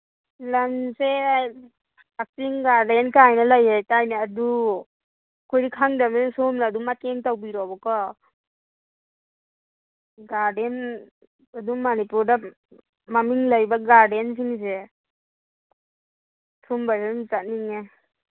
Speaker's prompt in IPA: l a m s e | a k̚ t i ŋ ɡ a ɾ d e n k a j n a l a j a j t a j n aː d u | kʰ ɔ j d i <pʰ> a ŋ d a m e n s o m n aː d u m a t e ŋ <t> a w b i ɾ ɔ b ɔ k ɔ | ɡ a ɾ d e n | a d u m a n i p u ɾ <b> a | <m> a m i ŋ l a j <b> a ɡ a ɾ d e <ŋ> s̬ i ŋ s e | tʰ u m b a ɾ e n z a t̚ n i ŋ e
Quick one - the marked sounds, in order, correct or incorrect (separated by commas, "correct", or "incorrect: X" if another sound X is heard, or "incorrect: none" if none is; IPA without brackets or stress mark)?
incorrect: kʰ, correct, incorrect: d, correct, correct, incorrect: n